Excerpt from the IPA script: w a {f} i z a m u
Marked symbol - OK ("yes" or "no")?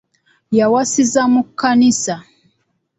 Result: no